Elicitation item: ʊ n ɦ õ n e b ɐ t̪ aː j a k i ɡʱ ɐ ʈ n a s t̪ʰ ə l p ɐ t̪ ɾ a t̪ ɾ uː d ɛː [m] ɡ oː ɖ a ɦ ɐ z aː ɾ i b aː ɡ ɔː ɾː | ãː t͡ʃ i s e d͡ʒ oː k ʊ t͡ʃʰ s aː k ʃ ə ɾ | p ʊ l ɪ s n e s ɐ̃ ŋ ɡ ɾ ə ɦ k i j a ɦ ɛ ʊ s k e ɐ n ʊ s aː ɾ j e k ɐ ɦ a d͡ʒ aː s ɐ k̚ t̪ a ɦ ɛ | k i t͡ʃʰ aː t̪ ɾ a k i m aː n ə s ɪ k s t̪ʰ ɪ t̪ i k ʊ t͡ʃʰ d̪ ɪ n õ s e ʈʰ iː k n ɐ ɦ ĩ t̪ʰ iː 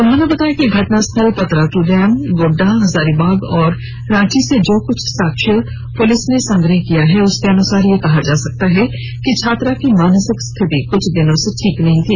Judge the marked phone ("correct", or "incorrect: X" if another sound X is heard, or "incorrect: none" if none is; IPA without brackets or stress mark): correct